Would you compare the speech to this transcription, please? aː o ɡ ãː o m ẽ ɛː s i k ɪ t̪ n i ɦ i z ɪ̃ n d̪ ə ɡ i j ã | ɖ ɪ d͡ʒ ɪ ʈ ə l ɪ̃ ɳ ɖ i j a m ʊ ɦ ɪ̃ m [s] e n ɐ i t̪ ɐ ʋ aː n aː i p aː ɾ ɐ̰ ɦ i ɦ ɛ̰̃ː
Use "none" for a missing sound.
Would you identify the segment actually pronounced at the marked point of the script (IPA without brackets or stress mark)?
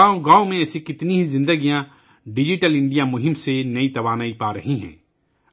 s